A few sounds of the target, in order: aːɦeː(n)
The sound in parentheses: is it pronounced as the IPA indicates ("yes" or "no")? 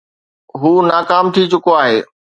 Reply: no